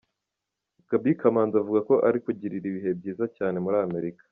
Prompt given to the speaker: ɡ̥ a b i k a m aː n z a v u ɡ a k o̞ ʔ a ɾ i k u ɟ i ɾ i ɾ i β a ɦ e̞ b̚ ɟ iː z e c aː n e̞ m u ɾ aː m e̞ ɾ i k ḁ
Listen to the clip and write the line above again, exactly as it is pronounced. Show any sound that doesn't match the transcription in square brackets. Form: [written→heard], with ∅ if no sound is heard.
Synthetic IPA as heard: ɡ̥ a b i k a m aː n z a v u ɡ a k o̞ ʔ a ɾ i k u ɟ i ɾ i ɾ i β [a→i] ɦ e̞ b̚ ɟ iː z [e→a] c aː n e̞ m u ɾ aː m e̞ ɾ i k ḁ